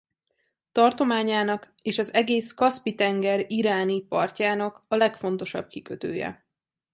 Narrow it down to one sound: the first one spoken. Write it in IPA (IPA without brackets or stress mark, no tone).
t̪